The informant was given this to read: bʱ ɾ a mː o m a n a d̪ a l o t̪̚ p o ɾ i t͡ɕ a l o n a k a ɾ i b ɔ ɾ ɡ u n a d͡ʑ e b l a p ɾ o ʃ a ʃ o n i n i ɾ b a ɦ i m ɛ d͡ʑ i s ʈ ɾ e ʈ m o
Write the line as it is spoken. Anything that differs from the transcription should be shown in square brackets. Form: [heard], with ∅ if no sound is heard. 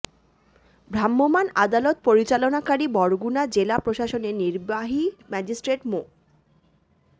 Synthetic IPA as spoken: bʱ ɾ a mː o m a n a d̪ a l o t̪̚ p o ɾ i t͡ɕ a l o n a k a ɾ i b ɔ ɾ ɡ u n a d͡ʑ e [∅] l a p ɾ o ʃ a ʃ o n [e] n i ɾ b a ɦ i m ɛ d͡ʑ i s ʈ ɾ e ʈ m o